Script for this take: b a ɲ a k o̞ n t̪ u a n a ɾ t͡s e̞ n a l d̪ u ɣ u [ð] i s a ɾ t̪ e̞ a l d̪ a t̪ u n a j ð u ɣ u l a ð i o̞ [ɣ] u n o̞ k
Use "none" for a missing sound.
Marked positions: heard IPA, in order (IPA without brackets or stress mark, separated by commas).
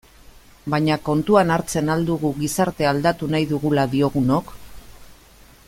ɣ, ɣ